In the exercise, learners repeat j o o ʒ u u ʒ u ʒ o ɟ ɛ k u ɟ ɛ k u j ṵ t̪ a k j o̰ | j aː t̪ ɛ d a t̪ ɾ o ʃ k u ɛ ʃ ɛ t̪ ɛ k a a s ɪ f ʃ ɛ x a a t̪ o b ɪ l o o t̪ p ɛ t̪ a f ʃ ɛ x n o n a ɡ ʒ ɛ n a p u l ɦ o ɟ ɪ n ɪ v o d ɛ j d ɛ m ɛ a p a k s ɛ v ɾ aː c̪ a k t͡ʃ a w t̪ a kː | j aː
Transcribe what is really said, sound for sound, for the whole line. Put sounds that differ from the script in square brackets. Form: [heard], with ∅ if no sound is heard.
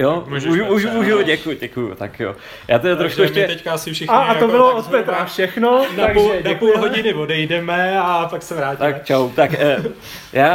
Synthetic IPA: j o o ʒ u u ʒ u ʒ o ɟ ɛ k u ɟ ɛ k u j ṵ t̪ a k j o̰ | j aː t̪ ɛ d a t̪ ɾ o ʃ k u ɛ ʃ ɛ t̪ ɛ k a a s ɪ f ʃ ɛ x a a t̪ o b ɪ l o o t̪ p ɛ t̪ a f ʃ ɛ x n o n a ɡ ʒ ɛ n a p u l ɦ o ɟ ɪ n ɪ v o d ɛ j d ɛ m ɛ a p a k s ɛ v ɾ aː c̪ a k t͡ʃ a w t̪ a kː | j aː